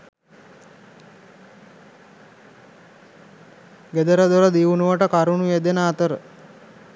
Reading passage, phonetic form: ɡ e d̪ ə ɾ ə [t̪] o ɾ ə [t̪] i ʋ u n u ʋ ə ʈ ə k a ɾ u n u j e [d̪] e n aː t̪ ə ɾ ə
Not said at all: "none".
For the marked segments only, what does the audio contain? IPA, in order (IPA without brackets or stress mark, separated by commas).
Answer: d̪, d̪, d̪